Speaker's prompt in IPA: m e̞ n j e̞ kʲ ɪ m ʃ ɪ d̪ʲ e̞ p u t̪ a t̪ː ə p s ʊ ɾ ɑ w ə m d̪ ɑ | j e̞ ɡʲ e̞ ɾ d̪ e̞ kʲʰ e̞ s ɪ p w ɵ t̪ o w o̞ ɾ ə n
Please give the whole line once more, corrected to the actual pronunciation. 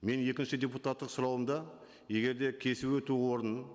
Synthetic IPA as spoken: m e̞ n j e̞ kʲ ɪ n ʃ ɪ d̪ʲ e̞ p u t̪ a t̪ː ə q s ʊ ɾ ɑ w ə m d̪ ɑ | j e̞ ɡʲ e̞ ɾ d̪ e̞ kʲʰ e̞ s ɪ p w ɵ t̪ u w o̞ ɾ ə n